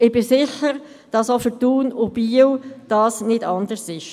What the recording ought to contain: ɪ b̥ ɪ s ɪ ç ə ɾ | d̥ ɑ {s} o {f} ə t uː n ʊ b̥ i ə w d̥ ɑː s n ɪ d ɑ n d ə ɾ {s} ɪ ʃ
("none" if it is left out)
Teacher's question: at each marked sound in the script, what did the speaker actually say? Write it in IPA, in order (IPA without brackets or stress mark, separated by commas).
s, f, s